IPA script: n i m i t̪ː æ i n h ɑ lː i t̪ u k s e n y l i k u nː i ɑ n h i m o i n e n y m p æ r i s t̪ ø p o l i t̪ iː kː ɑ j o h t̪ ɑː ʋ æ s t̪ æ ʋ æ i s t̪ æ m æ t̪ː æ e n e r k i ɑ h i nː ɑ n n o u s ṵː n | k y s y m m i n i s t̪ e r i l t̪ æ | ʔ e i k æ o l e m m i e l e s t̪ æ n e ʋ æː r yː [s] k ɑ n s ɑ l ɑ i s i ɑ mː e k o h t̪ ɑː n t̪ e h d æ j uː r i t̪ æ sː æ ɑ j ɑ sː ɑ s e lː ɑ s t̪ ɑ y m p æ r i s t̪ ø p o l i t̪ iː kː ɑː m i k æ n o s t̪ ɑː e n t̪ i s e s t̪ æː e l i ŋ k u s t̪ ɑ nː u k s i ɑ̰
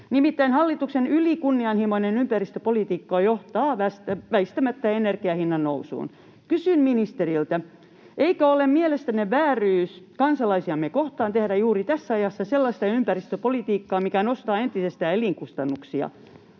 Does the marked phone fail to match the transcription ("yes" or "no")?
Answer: no